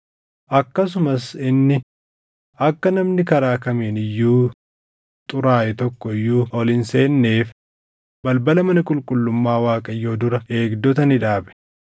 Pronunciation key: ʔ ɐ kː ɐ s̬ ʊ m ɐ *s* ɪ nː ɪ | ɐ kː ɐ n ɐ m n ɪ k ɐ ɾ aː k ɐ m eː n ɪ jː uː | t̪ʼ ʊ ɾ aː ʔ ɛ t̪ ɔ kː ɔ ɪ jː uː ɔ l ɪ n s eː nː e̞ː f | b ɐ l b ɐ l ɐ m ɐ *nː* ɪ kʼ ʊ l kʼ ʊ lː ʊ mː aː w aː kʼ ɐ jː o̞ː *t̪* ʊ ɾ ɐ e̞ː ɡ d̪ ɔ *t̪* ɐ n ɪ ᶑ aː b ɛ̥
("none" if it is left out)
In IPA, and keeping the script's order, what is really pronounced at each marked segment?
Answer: s, n, d̪, t̪

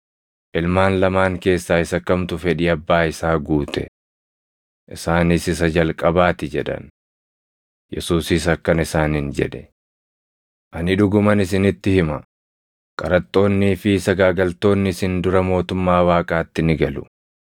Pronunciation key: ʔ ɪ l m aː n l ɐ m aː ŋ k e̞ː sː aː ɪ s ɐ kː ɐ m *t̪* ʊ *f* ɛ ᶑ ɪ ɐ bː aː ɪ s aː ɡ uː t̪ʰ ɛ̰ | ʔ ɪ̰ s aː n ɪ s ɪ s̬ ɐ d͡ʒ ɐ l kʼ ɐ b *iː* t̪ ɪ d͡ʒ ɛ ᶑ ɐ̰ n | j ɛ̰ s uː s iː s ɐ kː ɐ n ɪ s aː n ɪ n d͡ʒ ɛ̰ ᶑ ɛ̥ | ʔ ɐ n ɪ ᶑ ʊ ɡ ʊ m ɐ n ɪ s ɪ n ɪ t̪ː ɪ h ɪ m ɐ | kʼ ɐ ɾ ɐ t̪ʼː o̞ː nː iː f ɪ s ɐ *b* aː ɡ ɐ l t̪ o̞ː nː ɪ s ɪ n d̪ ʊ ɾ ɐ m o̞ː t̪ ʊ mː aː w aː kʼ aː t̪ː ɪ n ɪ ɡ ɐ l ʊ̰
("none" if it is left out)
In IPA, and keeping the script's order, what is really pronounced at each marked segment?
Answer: t̪, f, aː, ɡ

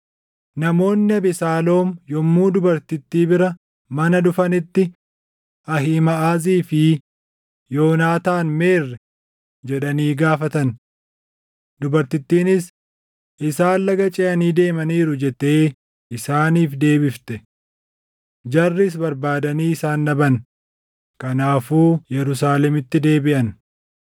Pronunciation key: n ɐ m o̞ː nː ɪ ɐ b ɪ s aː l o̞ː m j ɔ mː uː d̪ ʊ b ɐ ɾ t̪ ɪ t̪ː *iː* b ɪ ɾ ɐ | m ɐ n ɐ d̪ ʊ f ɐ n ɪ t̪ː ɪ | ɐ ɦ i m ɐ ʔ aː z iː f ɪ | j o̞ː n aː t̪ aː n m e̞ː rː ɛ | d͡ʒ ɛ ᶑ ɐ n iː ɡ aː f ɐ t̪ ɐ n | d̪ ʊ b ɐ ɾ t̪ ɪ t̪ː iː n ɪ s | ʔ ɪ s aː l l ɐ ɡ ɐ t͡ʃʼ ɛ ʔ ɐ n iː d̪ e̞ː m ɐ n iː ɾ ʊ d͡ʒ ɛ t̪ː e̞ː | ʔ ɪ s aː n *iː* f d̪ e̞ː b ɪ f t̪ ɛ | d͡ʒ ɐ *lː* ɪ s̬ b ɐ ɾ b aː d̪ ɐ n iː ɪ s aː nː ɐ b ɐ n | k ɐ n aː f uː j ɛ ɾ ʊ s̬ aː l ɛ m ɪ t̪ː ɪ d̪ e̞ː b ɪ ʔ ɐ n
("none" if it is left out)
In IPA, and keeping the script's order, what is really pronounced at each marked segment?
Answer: iː, iː, rː

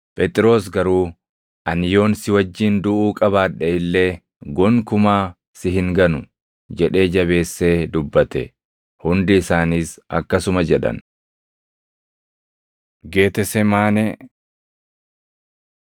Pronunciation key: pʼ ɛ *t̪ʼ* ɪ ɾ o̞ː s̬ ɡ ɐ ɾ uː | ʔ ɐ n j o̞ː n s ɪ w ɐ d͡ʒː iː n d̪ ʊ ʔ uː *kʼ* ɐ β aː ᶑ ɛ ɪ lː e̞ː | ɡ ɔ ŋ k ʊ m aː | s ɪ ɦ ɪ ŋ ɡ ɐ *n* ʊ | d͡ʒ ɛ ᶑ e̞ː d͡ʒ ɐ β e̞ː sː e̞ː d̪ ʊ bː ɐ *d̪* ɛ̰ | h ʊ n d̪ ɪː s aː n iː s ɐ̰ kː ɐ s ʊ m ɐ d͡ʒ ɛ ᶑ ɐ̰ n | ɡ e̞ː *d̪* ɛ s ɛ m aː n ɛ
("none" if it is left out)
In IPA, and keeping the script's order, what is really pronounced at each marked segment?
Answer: t̪ʼ, kʼ, n, t̪, t̪

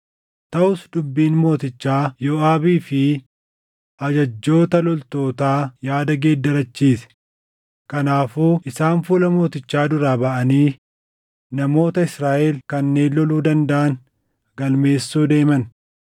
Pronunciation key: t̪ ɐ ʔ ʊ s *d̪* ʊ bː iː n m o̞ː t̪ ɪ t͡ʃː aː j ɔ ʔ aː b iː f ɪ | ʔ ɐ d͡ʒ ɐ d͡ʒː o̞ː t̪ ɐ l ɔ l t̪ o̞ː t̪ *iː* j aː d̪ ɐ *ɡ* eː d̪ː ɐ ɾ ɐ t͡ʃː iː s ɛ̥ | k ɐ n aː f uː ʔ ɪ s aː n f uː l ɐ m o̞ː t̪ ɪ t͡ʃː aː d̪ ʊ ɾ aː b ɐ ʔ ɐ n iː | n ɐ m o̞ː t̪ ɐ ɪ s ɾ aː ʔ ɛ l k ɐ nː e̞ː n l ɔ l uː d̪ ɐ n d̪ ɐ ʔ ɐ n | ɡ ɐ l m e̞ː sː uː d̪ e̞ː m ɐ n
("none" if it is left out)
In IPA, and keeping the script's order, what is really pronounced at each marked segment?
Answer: d̪, aː, ɡ

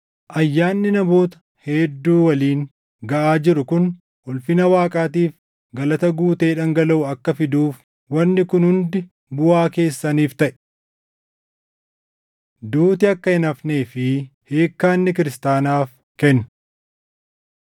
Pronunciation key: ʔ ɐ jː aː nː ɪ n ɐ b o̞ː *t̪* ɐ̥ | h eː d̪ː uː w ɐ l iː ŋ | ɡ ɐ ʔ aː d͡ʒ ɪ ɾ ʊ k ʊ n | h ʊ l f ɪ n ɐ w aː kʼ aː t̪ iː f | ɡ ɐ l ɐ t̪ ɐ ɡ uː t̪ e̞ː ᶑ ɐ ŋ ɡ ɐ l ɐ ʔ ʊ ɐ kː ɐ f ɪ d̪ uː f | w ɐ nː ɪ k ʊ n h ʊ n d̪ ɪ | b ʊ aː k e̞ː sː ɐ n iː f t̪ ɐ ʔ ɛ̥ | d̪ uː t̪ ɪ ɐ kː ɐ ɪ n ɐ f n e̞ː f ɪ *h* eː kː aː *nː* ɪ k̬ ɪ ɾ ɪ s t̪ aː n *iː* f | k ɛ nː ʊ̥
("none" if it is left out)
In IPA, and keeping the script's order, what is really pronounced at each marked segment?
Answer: t̪, h, nː, aː

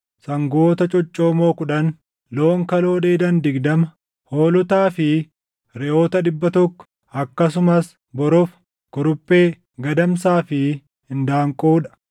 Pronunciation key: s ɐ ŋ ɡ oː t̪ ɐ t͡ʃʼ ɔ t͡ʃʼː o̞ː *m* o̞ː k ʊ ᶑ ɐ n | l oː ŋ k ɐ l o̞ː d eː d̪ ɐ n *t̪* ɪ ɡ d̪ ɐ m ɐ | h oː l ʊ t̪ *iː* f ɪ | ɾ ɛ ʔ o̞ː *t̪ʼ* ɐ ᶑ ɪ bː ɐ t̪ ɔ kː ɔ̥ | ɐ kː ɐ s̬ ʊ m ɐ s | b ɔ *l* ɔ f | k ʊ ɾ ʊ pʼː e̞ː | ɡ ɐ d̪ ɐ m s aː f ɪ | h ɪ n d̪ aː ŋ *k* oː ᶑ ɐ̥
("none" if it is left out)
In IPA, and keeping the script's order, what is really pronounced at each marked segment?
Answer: m, d̪, aː, t̪, ɾ, kʼ

